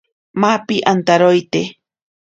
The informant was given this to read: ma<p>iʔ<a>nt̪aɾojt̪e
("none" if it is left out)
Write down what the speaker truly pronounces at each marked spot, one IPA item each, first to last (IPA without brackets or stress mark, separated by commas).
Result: p, a